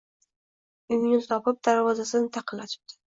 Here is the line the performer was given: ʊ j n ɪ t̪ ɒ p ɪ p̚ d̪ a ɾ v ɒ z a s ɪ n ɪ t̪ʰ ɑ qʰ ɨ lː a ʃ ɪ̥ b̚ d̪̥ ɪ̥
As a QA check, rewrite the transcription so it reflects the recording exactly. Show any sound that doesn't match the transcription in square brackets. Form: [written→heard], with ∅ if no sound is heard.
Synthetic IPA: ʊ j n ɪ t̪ ɒ p ɪ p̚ d̪ a ɾ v ɒ z a s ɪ n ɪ t̪ʰ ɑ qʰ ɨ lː a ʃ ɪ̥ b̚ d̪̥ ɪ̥